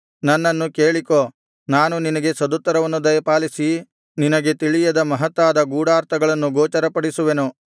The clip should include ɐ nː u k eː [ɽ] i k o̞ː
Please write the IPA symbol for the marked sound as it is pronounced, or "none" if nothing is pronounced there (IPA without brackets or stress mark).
ɭ